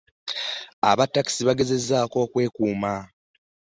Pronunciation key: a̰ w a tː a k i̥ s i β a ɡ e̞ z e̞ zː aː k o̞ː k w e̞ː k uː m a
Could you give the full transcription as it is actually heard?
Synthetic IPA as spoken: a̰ β a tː a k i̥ s i β a ɡ e̞ z e̞ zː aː k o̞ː k w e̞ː k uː m a